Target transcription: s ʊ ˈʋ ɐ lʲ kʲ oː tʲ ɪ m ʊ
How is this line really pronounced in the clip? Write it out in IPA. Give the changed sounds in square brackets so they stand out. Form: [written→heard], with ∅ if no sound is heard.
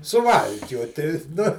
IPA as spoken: s ʊ ˈʋ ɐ lʲ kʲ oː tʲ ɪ [m→n] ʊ